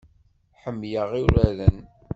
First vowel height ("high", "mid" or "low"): mid